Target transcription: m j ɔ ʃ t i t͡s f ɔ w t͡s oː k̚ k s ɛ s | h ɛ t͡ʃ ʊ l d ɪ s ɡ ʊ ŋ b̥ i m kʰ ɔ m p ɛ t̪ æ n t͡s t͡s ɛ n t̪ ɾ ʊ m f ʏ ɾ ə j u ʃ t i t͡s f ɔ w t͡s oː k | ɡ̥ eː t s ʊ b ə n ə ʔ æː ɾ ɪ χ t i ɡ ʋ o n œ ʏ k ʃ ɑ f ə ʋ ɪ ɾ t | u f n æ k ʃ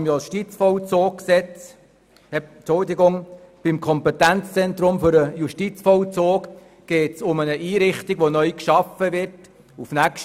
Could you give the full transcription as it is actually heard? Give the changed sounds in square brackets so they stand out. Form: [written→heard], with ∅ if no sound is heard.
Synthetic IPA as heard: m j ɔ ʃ t i t͡s f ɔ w t͡s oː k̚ k s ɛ [s→t͡s] | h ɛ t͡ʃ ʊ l d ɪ [s→∅] ɡ ʊ ŋ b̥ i m kʰ ɔ m p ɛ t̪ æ n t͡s t͡s ɛ n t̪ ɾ ʊ m f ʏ ɾ ə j u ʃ t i t͡s f ɔ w t͡s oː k | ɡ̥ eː t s ʊ [b→m] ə n ə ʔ [æː→iː] ɾ ɪ χ t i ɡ ʋ o n œ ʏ k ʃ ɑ f ə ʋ ɪ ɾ t | u f n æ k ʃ